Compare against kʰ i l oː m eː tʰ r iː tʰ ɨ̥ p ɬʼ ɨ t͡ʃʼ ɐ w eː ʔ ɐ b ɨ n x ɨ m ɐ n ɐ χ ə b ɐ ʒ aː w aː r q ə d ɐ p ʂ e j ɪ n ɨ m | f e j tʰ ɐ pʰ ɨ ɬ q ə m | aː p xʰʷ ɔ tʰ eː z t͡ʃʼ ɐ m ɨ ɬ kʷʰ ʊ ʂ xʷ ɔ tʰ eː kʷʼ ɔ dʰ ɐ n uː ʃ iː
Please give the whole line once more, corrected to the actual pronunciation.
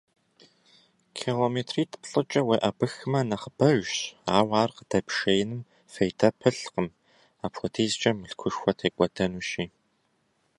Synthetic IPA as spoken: kʰ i l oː m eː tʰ r iː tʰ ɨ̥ p ɬʼ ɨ t͡ʃʼ ɐ w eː ʔ ɐ b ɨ x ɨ m ɐ n ɐ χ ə b ɐ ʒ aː w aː r q ə d ɐ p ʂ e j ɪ n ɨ m | f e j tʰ ɐ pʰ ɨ ɬ q ə m | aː p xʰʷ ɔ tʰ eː z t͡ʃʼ ɐ m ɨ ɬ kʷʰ ʊ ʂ xʷ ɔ tʰ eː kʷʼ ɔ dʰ ɐ n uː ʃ iː

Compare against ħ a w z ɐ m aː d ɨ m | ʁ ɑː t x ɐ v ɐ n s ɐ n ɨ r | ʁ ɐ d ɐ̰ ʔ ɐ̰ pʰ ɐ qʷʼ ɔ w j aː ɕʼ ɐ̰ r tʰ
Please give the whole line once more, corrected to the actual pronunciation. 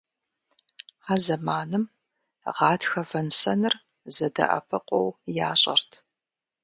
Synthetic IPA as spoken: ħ a z ɐ m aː n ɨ m | ʁ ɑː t x ɐ v ɐ n s ɐ n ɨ r | z ɐ d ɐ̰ ʔ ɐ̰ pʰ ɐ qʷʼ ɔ w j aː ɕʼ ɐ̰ r tʰ

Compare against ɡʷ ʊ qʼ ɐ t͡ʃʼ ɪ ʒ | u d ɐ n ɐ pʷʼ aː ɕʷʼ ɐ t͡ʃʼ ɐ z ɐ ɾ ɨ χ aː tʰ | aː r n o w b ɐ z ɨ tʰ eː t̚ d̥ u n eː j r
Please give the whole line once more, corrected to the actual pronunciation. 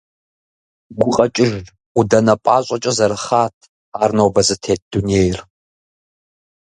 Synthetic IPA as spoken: ɡʷ ʊ qʼ ɐ t͡ʃʼ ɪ ʒ | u d ɐ n ɐ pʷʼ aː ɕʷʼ ɐ t͡ʃʼ ɐ z ɐ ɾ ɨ χ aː tʰ | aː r n o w b ɐ z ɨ tʰ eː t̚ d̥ u n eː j r

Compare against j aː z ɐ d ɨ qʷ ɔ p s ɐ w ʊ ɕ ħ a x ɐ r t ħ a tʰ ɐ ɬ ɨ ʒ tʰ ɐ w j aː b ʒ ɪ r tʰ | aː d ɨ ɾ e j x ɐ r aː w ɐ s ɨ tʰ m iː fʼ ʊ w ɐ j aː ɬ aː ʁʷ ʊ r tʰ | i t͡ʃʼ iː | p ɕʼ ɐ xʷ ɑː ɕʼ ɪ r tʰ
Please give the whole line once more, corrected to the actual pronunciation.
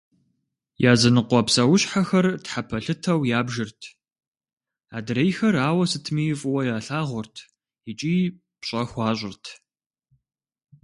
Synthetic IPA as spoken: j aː z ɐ n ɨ qʷ ɔ p s ɐ w ʊ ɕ ħ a x ɐ r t ħ a pʰ ɐ ɬ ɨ tʰ ɐ w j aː b ʒ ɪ r tʰ | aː d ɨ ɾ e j x ɐ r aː w ɐ s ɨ tʰ m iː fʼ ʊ w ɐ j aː ɬ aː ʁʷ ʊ r tʰ | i t͡ʃʼ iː | p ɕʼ ɐ xʷ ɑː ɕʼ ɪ r tʰ

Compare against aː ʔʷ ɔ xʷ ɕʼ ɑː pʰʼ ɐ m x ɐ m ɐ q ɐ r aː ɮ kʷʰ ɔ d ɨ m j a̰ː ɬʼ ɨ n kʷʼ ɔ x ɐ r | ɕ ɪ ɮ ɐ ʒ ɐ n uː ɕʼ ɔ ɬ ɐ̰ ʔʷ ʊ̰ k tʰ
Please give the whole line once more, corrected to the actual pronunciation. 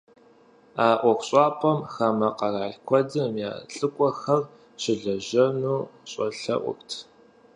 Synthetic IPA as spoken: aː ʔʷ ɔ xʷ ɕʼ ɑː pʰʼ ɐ m x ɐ m ɐ q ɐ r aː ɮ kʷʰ ɔ d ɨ m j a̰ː ɬʼ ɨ kʷʼ ɔ x ɐ r | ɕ ɪ ɮ ɐ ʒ ɐ n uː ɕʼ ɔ ɬ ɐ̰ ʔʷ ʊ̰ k tʰ

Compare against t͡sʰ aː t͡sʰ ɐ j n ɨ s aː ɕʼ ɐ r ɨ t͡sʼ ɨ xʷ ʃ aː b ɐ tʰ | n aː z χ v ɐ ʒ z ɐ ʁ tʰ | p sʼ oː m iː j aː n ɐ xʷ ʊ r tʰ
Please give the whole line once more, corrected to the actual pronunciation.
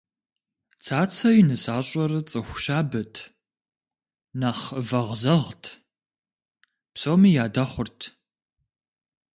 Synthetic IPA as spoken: t͡sʰ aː t͡sʰ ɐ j n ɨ s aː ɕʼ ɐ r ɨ t͡sʼ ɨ xʷ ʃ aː b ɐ tʰ | n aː χ v ɐ ʁ z ɐ ʁ tʰ | p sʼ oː m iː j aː d ɐ χʷ ʊ r tʰ

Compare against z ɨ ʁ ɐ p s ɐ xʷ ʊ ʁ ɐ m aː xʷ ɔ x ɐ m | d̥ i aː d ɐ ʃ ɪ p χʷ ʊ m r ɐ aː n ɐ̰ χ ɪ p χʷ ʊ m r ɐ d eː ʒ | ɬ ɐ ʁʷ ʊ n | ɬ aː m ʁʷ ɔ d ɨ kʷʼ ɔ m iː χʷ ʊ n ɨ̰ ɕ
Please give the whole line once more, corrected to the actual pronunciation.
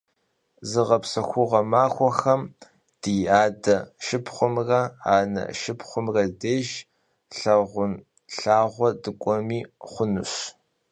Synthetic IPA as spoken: z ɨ ʁ ɐ p s ɐ xʷ ʊ ʁ ɐ m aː xʷ ɔ x ɐ m | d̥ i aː d ɐ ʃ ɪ p χʷ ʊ m r ɐ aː n ɐ̰ ʃ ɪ p χʷ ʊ m r ɐ d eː ʒ | ɬ ɐ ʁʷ ʊ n | ɬ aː ʁʷ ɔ d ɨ kʷʼ ɔ m iː χʷ ʊ n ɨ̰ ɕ

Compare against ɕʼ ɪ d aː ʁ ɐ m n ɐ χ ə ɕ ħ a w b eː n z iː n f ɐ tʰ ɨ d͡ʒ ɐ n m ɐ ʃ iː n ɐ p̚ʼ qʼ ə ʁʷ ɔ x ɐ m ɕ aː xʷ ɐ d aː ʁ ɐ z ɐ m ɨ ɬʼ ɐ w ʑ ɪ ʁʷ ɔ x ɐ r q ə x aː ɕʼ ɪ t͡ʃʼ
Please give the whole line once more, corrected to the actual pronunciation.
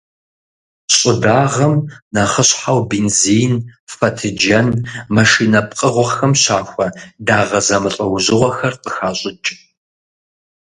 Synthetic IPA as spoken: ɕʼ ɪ d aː ʁ ɐ m n ɐ χ ə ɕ ħ a w b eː n z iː n f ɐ tʰ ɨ d͡ʒ ɐ n m ɐ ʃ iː n ɐ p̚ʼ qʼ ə ʁʷ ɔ x ɐ m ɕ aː xʷ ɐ d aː ʁ ɐ z ɐ m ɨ ɬʼ ɐ w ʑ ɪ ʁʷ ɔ x ɐ r q ə x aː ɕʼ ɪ t͡ʃʼ

